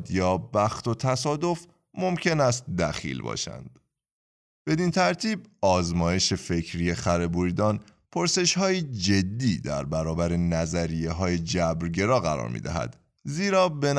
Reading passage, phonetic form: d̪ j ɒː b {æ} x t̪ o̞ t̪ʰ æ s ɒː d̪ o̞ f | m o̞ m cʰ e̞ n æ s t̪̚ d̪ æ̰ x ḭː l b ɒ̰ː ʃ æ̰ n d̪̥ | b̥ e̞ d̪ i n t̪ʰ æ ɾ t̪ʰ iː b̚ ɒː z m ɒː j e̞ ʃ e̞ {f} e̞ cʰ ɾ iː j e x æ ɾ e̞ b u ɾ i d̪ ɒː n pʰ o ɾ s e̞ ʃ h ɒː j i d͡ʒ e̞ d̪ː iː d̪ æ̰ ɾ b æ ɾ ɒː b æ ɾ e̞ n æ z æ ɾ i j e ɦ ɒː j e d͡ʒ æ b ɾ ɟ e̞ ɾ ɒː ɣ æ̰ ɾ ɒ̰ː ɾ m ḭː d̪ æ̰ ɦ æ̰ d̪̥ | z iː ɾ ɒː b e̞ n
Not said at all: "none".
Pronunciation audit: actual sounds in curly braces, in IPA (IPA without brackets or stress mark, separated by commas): æ, f